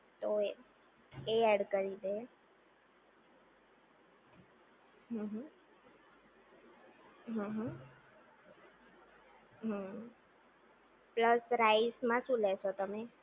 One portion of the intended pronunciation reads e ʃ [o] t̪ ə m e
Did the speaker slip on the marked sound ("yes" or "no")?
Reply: no